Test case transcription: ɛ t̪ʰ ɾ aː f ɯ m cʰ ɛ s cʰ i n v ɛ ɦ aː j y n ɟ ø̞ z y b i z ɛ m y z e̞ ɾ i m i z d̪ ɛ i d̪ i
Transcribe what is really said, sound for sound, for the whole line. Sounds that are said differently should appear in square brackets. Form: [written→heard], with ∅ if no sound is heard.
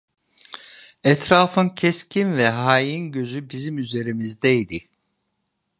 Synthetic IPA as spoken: ɛ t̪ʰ ɾ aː f ɯ [m→n] cʰ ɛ s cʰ i n v ɛ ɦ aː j [y→i] n ɟ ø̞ z y b i z [ɛ→i] m y z e̞ ɾ i m i z d̪ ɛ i d̪ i